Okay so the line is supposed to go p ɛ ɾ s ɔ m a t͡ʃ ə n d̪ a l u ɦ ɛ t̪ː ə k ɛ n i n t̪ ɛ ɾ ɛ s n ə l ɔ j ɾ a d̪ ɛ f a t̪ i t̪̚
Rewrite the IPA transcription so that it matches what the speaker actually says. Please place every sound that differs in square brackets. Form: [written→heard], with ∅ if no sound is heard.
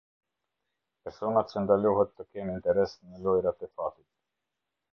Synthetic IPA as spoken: p ɛ ɾ s ɔ [m→n] a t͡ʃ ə n d̪ a l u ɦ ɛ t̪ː ə k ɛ n i n t̪ ɛ ɾ ɛ s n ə l ɔ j ɾ a [d̪→t̪] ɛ f a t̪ i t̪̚